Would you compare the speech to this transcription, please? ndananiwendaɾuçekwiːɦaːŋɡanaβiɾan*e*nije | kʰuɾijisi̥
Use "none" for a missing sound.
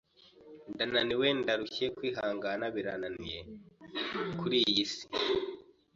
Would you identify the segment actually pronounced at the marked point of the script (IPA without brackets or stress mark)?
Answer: a